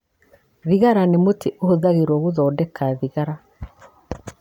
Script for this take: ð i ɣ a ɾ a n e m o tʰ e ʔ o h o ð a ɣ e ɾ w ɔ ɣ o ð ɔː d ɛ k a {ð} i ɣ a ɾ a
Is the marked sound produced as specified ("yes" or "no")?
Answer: yes